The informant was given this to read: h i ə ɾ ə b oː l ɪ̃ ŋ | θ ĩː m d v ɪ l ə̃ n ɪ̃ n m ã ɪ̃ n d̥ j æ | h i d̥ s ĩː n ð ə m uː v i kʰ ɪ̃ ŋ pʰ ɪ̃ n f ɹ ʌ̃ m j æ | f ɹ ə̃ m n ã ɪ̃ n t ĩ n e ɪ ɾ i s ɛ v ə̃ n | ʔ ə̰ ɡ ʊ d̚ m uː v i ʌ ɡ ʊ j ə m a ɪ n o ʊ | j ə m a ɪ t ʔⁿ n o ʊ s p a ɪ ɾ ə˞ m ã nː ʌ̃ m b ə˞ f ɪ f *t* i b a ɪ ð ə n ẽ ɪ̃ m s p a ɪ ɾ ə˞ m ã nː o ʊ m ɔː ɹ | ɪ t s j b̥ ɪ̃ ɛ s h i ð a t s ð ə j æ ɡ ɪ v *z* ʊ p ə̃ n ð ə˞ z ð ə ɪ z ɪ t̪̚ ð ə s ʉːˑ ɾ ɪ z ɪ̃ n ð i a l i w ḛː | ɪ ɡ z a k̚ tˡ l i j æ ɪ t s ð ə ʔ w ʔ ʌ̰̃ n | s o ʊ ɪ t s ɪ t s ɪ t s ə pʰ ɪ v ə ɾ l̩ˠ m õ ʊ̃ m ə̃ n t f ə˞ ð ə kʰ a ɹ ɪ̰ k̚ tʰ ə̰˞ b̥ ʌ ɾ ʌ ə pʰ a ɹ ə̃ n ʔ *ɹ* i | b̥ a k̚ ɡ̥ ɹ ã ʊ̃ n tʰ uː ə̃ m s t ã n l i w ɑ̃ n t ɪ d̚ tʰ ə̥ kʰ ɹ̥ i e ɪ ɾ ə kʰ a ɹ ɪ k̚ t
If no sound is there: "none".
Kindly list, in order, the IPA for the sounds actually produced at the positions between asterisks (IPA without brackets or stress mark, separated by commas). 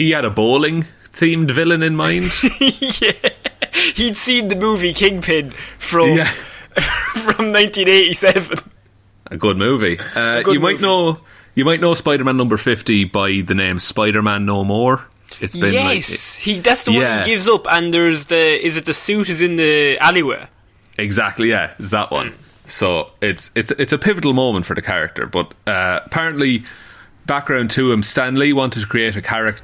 t, z, l